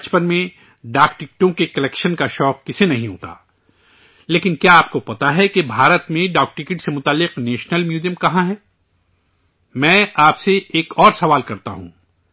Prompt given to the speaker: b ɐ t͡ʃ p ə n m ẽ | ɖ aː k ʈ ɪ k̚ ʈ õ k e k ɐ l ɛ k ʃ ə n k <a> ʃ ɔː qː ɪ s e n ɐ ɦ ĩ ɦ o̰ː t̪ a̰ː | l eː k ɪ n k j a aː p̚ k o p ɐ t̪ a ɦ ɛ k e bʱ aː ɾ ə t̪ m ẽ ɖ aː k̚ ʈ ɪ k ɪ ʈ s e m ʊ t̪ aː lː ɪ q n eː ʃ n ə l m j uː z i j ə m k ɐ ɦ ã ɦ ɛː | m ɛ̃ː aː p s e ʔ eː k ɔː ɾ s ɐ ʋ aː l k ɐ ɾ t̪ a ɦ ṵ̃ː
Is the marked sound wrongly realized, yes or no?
no